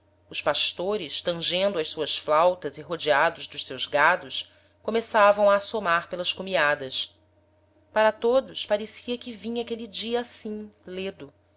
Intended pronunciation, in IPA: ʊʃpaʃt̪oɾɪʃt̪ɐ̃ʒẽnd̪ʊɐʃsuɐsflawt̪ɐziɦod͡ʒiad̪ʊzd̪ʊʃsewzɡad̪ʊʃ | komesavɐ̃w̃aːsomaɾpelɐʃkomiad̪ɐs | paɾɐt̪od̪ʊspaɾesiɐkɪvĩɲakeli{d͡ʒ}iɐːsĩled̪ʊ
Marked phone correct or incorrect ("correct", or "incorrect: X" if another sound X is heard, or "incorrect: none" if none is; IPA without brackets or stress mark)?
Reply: correct